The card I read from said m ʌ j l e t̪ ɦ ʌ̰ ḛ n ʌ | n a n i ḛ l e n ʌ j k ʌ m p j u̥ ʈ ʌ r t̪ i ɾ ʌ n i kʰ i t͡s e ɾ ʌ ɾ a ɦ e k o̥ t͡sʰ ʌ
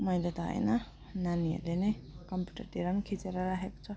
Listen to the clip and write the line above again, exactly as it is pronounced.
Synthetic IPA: m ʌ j l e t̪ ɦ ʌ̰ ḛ n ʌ | n a n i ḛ l e n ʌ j k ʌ m p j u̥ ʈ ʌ r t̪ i ɾ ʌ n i kʰ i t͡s e ɾ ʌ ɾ a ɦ e k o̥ t͡sʰ ʌ